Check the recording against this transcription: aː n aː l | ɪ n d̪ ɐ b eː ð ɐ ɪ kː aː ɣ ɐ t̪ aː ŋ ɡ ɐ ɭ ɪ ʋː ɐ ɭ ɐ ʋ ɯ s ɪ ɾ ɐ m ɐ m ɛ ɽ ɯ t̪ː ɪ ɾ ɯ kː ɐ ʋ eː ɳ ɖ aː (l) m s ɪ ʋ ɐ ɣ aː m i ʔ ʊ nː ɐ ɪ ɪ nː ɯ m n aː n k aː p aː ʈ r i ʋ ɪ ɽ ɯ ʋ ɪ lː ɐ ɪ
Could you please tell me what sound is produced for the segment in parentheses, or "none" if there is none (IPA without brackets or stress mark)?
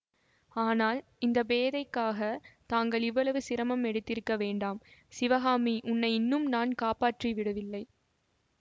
none